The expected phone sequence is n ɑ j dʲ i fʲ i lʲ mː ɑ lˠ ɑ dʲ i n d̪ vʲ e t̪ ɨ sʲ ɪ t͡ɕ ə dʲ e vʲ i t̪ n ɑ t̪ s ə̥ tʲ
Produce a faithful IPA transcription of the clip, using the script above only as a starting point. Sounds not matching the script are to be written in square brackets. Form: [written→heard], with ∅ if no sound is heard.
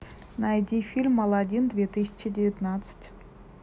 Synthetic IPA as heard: n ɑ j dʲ i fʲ i lʲ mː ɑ lˠ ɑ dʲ i n d̪ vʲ e t̪ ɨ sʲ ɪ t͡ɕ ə dʲ e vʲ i t̪ n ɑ t̪ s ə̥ tʲ